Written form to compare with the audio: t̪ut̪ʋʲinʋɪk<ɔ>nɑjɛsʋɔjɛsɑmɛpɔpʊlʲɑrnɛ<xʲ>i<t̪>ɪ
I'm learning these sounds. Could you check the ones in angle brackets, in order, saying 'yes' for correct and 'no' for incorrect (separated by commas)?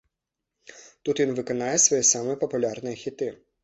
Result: yes, yes, yes